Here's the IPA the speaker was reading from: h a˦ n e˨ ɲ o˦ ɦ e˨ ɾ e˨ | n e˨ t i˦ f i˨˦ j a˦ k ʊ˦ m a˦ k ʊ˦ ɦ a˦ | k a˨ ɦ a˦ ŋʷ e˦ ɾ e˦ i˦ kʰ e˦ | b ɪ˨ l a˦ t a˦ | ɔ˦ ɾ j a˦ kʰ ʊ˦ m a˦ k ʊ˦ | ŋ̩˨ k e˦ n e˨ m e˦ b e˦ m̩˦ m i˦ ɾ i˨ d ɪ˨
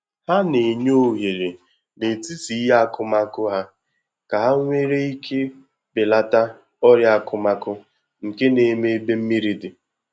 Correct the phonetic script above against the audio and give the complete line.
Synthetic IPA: h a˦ n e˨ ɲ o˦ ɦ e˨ ɾ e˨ | n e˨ t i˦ s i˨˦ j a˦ k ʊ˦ m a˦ k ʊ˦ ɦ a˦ | k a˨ ɦ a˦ ŋʷ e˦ ɾ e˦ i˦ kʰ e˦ | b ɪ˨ l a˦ t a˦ | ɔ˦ ɾ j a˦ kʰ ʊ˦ m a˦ k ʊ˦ | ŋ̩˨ k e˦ n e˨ m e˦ b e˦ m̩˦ m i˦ ɾ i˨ d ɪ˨

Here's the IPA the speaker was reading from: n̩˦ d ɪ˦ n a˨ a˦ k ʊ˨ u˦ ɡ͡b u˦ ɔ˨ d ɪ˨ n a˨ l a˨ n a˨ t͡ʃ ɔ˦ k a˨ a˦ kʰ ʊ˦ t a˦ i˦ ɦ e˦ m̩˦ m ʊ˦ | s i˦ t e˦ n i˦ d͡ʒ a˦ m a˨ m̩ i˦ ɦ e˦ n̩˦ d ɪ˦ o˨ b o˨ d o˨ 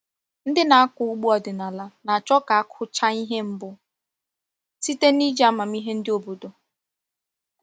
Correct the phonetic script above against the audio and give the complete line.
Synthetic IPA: n̩˦ d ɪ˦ n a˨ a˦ k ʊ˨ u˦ ɡ͡b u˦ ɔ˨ d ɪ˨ n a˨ l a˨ n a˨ t͡ʃ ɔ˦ k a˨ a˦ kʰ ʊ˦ t͡ʃ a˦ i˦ ɦ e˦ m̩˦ b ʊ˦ | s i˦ t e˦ n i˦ d͡ʒ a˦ m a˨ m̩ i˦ ɦ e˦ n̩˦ d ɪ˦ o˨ b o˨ d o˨

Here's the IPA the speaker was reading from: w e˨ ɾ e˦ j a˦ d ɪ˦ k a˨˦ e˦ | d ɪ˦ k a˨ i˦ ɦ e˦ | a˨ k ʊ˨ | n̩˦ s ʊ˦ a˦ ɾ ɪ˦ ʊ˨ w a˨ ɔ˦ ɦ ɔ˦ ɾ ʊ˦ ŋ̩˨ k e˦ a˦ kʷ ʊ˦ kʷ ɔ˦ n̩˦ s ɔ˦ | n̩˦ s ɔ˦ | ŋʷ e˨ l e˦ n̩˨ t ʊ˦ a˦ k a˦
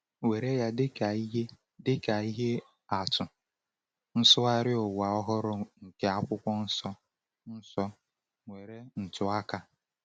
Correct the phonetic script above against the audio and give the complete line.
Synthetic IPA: w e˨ ɾ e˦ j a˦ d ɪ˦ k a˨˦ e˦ | d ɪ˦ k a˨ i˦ ɦ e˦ | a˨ t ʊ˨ | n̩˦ s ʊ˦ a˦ ɾ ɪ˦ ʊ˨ w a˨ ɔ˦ ɦ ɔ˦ ɾ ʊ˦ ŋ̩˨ k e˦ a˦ kʷ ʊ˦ kʷ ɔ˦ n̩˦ s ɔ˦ | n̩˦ s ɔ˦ | ŋʷ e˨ ɾ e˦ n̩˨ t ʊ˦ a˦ k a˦

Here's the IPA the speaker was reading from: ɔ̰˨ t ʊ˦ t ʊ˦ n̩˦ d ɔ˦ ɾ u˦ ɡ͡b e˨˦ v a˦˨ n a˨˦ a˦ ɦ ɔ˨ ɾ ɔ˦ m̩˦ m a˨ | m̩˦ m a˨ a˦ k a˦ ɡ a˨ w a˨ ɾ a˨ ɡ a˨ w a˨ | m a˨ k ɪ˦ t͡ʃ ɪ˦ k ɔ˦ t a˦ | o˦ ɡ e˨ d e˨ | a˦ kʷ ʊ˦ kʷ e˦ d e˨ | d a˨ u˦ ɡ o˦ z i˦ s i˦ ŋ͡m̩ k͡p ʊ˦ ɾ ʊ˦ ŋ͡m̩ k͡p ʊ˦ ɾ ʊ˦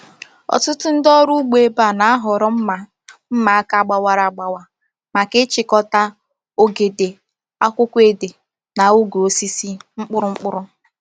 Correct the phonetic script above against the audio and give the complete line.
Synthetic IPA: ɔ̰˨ t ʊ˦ t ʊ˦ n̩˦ d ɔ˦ ɾ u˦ ɡ͡b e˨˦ b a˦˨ n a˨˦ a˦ ɦ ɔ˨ ɾ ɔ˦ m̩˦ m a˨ | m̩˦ m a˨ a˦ k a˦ ɡ͡b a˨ w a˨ ɾ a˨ ɡ͡b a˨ w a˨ | m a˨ k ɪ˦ t͡ʃ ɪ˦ k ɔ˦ t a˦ | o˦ ɡ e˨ d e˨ | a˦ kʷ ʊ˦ kʷ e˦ d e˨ | n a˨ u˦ ɡ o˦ s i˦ s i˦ ŋ͡m̩ k͡p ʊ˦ ɾ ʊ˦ ŋ͡m̩ k͡p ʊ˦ ɾ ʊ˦

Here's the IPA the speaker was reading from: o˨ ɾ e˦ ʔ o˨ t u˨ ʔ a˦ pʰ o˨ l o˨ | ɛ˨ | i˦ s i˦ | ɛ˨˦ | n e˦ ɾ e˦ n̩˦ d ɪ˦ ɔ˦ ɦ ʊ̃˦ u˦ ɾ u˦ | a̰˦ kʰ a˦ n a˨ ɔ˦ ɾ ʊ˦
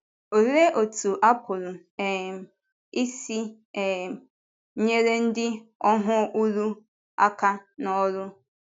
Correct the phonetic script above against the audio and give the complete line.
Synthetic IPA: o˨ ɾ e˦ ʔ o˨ t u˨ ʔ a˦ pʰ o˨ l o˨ | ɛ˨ | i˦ s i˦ | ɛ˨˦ | ɲ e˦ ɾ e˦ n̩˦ d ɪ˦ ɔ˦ ɦ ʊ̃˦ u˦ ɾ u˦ | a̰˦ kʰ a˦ n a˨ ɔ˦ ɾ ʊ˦

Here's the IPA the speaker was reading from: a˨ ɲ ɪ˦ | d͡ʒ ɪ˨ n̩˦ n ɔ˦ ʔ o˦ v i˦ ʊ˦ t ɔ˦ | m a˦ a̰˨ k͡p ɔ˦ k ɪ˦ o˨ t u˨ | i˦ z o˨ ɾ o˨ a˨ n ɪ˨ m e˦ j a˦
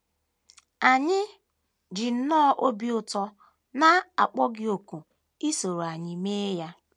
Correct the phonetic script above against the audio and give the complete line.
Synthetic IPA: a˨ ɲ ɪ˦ | d͡ʒ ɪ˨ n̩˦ n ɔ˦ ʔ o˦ b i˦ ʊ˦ t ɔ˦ | n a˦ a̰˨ k͡p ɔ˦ ɡ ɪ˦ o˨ k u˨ | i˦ s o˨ ɾ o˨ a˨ ɲ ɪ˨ m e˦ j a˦

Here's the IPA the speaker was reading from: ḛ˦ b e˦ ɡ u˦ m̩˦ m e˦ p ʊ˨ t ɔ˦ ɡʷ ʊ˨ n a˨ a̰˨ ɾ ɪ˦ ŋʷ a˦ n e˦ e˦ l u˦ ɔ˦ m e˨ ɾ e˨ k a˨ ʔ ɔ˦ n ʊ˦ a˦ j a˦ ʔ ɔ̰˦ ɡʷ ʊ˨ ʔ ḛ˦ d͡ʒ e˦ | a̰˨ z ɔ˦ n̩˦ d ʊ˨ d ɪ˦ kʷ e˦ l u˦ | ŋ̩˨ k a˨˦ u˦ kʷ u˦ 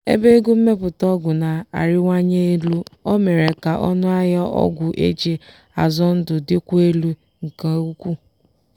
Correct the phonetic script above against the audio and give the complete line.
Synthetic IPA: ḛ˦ b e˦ ɡ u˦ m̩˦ m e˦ p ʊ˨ t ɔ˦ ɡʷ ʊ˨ n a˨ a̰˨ ɾ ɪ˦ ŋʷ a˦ ɲ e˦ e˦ l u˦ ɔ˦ m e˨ ɾ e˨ k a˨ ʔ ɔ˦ n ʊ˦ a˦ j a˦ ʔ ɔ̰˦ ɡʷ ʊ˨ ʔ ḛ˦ d͡ʒ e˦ | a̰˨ z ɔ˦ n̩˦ d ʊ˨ d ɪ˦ kʷ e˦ l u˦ | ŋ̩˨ k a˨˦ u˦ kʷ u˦

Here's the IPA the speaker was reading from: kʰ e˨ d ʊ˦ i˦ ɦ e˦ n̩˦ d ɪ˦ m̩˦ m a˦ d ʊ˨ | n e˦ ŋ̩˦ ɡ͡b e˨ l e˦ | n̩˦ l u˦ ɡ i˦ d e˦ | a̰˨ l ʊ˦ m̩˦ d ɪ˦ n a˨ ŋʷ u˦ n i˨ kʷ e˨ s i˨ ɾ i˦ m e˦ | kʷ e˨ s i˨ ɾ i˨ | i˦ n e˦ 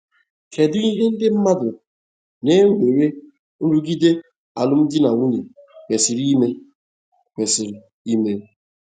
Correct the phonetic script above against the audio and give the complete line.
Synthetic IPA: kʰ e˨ d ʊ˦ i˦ ɦ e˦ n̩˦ d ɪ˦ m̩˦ m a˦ d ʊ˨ | n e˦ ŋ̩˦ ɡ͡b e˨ ɾ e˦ | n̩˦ ɾ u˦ ɡ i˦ d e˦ | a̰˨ l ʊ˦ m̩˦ d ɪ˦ n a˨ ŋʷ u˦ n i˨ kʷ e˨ s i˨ ɾ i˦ m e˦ | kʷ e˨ s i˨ ɾ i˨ | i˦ m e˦

